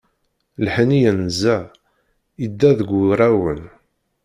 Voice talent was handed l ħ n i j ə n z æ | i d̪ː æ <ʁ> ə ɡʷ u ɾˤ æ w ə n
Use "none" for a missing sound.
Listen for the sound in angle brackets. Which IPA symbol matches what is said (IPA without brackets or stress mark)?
ð